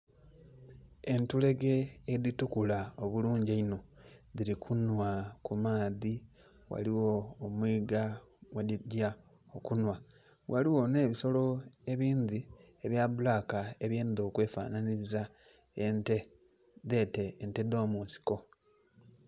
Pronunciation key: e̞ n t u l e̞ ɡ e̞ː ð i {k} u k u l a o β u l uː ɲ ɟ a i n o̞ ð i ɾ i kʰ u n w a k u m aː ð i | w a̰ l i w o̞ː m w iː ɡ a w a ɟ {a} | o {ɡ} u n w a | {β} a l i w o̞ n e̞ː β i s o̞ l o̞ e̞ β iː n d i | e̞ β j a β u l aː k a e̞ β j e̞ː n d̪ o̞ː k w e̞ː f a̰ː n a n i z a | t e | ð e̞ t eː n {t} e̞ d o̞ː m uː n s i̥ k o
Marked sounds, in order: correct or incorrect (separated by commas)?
incorrect, correct, incorrect, incorrect, correct